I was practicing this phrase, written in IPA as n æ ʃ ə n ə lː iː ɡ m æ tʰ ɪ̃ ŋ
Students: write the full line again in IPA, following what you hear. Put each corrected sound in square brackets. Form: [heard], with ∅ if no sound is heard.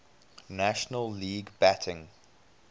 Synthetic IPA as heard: n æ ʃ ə n ə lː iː ɡ [b] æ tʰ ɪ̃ ŋ